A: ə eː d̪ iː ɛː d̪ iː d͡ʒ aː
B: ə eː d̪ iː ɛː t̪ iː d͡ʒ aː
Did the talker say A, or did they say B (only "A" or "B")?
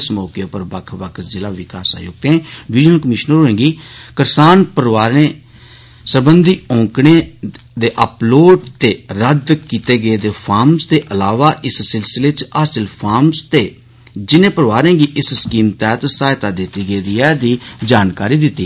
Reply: A